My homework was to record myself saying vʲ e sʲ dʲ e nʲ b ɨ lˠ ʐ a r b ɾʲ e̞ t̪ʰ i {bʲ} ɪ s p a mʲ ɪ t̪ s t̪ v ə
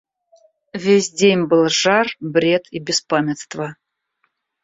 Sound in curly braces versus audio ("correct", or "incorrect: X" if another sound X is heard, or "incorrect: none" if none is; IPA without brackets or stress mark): correct